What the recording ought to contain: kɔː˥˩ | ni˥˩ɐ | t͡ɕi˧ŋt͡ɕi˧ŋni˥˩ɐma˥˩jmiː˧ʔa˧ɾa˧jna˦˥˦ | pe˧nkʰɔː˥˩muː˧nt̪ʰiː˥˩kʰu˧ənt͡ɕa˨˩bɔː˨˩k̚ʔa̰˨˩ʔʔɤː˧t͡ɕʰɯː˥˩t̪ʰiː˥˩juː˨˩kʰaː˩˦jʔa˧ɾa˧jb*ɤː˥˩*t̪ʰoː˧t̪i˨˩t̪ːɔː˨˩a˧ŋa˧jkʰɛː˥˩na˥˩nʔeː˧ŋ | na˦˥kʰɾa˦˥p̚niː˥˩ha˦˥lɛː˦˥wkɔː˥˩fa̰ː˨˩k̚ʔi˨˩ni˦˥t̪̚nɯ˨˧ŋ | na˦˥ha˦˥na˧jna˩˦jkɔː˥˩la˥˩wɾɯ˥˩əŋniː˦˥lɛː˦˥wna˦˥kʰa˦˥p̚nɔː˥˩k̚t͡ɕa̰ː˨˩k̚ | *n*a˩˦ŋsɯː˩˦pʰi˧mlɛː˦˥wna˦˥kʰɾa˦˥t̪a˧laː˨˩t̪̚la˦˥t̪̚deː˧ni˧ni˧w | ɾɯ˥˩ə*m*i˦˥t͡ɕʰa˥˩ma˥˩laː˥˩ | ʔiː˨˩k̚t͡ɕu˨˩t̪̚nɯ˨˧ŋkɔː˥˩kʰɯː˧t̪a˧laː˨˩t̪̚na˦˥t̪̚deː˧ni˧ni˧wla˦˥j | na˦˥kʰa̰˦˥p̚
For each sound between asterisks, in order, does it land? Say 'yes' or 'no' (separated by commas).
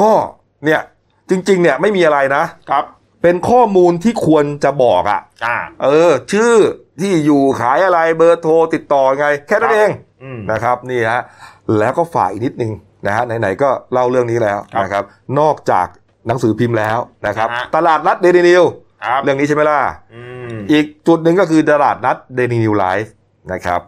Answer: no, yes, no